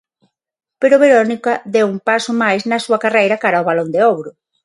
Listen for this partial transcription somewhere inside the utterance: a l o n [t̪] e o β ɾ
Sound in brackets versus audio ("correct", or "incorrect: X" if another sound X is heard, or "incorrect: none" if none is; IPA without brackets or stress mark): incorrect: d̪